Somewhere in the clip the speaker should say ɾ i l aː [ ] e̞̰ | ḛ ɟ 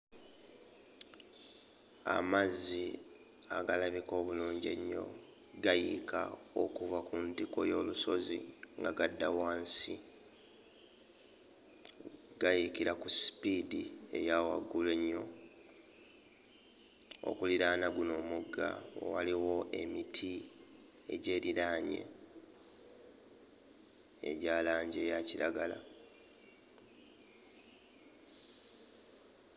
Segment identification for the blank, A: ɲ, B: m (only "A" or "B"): A